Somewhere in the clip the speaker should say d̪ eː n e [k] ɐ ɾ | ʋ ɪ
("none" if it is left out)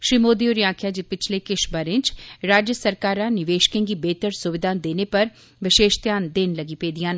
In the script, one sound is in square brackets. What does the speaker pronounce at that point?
p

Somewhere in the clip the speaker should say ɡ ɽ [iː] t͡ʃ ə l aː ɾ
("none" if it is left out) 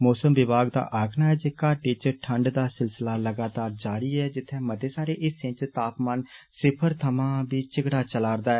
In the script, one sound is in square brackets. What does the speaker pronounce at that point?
aː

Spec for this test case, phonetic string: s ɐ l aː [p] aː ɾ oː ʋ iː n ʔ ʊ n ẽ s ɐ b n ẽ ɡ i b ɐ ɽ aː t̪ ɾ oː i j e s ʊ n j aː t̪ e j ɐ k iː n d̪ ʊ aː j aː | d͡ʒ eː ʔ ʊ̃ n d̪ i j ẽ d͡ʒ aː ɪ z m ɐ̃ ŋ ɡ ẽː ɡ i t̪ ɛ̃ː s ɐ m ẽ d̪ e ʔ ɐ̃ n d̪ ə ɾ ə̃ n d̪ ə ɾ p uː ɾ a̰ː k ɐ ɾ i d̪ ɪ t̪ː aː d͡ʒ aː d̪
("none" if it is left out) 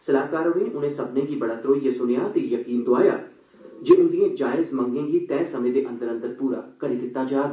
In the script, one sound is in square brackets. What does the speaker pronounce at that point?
k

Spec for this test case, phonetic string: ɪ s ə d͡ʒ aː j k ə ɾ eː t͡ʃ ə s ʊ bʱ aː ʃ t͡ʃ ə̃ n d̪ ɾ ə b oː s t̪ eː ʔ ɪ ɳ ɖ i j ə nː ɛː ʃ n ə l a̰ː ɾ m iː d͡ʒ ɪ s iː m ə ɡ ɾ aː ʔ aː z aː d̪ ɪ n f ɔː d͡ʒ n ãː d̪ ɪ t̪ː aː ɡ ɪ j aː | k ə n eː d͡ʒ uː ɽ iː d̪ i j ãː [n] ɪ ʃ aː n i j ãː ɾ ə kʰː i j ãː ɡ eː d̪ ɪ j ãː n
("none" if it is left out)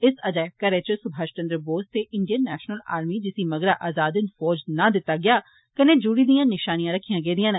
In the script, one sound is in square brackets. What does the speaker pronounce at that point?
n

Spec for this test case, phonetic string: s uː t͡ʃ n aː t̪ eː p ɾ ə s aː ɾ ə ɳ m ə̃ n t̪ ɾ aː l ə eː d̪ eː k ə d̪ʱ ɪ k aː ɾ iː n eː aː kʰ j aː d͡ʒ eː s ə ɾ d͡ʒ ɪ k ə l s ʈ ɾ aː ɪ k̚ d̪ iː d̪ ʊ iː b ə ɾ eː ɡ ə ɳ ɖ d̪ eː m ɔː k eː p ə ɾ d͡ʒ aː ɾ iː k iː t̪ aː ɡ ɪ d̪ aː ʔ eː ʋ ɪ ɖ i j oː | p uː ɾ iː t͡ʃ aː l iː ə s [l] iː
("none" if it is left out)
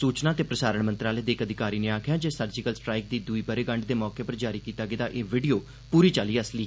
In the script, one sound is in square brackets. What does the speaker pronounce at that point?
l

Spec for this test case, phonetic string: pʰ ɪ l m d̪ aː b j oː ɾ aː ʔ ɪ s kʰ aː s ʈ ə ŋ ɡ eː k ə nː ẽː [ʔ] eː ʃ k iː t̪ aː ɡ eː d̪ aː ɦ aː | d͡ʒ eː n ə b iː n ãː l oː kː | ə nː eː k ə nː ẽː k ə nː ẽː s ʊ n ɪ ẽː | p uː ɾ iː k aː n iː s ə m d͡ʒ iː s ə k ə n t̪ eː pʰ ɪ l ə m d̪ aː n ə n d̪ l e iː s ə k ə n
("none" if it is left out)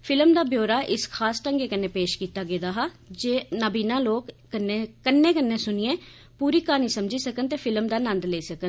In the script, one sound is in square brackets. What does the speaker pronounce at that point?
p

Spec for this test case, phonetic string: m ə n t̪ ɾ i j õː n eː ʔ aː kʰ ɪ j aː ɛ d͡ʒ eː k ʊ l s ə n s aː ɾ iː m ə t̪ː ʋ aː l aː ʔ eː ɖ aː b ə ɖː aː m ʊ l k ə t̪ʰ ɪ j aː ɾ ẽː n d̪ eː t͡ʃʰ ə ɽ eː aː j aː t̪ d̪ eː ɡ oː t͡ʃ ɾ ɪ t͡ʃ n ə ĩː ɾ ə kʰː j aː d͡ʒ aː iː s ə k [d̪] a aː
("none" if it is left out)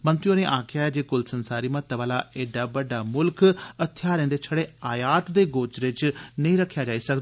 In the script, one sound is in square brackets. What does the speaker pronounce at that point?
d̪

